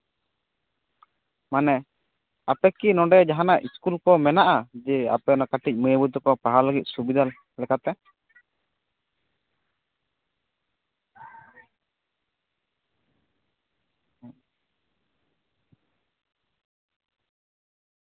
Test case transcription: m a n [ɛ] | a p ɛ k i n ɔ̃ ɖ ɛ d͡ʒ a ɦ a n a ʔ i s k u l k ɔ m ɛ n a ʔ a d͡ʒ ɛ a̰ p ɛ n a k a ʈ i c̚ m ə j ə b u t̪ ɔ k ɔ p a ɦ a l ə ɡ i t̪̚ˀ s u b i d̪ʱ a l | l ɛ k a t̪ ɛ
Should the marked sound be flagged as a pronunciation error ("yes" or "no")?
no